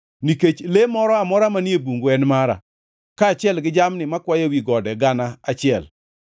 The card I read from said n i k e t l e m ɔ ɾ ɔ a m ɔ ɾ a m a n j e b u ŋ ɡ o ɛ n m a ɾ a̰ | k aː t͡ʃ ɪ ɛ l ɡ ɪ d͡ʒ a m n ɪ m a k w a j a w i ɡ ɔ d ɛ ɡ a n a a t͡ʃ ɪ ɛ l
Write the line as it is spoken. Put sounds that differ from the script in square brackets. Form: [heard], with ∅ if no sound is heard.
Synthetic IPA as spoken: n i k e [t͡ʃ] l e m ɔ ɾ ɔ a m ɔ ɾ a m a n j e b u ŋ ɡ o ɛ n m a ɾ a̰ | k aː t͡ʃ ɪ ɛ l ɡ ɪ d͡ʒ a m n ɪ m a k w a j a w i ɡ ɔ d ɛ ɡ a n a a t͡ʃ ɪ ɛ l